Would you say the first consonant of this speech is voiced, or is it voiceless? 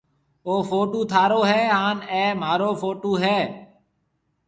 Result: voiceless